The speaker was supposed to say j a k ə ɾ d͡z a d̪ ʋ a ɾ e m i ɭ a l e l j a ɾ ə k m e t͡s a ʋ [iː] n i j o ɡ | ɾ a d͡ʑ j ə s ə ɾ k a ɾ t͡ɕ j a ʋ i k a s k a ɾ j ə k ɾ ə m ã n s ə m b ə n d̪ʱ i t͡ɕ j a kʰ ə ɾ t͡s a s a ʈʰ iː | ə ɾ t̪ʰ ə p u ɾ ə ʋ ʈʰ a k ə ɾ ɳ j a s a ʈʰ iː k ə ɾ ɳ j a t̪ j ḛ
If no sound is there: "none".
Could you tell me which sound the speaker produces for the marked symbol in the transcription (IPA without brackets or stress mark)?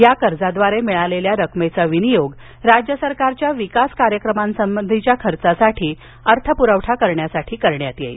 i